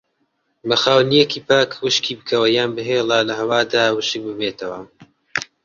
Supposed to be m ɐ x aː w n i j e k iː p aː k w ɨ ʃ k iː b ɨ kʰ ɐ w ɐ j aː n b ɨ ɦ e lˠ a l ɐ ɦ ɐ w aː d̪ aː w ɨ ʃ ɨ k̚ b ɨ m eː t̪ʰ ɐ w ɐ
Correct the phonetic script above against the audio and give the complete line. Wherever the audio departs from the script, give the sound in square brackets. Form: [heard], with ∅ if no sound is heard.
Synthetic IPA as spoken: m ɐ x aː w n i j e k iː p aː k w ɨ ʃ k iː b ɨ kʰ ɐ w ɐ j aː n b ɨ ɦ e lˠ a l ɐ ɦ ɐ w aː d̪ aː w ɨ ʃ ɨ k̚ b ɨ m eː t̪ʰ ɐ w ɐ